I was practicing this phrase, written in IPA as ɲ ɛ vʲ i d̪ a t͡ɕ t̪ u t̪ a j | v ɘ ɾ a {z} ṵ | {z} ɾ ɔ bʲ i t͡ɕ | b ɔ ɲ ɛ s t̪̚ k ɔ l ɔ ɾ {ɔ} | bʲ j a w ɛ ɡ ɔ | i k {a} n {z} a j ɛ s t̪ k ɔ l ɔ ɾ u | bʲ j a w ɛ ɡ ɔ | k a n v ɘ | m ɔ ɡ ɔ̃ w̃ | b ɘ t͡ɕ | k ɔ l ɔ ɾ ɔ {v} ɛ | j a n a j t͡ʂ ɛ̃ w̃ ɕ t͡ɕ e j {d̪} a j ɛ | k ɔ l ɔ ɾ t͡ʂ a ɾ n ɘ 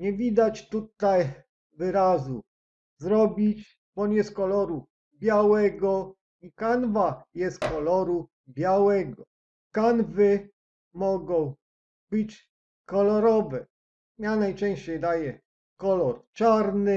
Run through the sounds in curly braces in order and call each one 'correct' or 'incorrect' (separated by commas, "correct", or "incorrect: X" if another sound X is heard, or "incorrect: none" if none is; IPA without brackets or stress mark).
correct, correct, incorrect: u, correct, incorrect: v, correct, correct